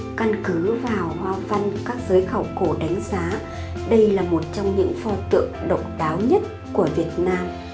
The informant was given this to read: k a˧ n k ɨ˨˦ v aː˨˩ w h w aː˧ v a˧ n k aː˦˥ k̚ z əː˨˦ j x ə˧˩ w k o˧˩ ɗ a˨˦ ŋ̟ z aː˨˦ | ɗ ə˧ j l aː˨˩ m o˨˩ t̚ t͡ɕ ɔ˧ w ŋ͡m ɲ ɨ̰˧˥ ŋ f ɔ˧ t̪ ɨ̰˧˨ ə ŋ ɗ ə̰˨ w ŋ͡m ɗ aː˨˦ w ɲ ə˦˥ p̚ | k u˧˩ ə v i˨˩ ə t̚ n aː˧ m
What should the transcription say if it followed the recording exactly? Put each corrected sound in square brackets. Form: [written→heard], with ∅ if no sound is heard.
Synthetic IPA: k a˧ n k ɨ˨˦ v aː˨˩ w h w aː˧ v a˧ n k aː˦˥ k̚ z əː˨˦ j x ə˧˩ w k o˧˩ ɗ a˨˦ ŋ̟ z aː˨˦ | ɗ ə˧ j l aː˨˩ m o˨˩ t̚ t͡ɕ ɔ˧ w ŋ͡m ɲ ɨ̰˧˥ ŋ f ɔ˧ t̪ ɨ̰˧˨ ə ŋ ɗ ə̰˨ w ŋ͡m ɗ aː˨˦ w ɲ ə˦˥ [p̚→t̚] | k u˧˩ ə v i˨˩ ə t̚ n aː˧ m

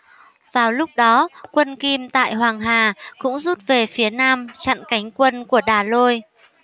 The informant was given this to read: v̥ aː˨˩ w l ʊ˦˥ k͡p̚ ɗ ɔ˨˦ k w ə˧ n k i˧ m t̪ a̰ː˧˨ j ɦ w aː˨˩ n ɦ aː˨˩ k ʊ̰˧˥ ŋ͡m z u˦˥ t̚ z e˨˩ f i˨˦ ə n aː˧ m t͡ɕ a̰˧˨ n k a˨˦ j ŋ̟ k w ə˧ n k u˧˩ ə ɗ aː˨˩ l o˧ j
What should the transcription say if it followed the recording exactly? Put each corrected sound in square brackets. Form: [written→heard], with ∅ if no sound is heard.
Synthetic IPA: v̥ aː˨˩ w l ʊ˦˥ k͡p̚ ɗ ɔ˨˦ k w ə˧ n k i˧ m t̪ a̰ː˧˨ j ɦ w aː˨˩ [n→ŋ] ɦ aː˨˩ k ʊ̰˧˥ ŋ͡m z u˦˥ t̚ [z→v] e˨˩ f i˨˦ ə n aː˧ m t͡ɕ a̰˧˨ n k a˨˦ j ŋ̟ k w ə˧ n k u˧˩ ə ɗ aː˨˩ l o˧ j

